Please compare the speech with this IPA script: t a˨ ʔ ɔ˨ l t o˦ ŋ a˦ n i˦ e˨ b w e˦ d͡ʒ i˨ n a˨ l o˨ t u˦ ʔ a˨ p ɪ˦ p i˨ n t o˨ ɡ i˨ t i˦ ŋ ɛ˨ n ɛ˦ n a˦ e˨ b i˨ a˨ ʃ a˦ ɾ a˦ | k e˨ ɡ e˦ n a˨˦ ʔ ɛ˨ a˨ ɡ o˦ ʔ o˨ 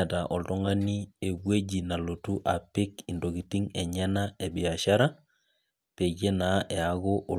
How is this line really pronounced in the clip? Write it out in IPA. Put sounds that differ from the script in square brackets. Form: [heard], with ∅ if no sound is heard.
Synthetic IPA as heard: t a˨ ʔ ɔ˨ l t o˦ ŋ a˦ n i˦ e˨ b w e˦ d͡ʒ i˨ n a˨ l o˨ t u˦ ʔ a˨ p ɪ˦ [k] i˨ n [d] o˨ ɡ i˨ t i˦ ŋ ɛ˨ [ɲ] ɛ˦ n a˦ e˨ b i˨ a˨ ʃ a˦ ɾ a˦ | [p] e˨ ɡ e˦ n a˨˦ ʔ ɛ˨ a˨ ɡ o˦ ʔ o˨